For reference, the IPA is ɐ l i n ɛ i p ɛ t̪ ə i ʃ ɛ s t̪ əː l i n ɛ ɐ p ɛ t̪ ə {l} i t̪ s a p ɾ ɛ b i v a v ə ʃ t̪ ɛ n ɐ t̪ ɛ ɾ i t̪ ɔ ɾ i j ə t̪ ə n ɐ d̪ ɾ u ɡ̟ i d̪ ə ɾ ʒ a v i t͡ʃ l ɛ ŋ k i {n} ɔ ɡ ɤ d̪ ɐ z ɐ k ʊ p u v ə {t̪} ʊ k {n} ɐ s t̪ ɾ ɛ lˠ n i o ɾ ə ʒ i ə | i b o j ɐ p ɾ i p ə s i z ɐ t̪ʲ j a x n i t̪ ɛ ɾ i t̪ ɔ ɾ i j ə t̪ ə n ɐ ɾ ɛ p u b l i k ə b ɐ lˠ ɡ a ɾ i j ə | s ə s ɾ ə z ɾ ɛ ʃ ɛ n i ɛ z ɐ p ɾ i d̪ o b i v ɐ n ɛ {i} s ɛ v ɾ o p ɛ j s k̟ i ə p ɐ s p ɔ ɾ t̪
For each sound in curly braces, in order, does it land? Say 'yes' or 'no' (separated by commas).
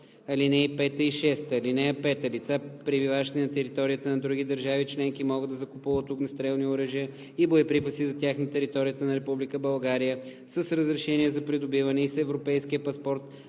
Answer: yes, no, yes, yes, yes